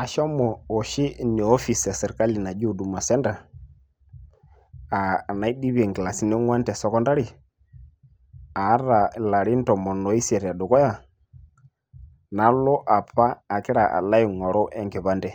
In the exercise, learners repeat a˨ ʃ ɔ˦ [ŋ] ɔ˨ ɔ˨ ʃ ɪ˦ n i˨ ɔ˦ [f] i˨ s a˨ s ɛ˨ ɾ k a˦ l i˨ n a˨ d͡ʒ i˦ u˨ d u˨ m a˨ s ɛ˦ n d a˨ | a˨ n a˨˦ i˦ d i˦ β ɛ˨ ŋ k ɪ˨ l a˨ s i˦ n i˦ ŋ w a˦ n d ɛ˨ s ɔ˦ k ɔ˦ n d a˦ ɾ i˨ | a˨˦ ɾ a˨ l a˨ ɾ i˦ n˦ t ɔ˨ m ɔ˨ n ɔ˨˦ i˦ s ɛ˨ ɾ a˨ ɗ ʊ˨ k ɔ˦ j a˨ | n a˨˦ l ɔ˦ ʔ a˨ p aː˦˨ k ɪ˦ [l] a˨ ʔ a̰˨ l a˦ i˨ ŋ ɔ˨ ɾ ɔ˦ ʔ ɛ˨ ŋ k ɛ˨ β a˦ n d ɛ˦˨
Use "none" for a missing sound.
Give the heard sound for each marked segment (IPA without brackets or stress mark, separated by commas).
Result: m, f, ɾ